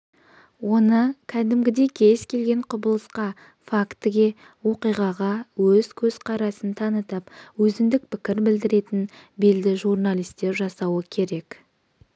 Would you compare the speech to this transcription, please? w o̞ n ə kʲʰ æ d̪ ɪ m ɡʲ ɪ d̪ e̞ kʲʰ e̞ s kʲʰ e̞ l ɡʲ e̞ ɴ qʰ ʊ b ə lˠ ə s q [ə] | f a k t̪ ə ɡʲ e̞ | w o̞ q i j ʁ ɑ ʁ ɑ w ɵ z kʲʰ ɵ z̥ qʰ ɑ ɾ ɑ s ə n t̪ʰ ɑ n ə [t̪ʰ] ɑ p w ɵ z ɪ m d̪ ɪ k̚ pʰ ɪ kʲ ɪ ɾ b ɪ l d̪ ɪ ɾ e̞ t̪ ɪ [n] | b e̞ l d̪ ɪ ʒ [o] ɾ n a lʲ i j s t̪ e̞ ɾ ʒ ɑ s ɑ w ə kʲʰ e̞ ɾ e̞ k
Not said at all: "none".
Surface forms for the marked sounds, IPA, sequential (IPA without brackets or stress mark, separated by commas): ɑ, t̪, n, u